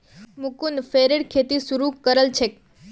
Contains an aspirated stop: yes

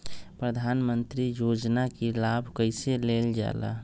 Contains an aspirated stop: no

